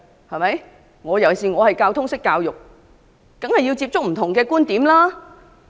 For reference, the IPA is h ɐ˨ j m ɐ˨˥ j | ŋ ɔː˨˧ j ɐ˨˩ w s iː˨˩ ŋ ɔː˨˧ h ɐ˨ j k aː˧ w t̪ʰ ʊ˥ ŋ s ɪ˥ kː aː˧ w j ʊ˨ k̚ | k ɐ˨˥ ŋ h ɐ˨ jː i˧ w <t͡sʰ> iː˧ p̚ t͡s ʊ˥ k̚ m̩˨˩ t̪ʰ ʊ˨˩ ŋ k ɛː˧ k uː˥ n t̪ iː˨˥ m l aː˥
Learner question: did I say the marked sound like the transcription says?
no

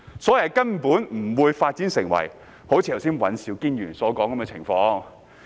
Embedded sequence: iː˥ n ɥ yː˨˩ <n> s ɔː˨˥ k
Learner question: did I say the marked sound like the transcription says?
yes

